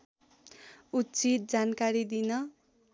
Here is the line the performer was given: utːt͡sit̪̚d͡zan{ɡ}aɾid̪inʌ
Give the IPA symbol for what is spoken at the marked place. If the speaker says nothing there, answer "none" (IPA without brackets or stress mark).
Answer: k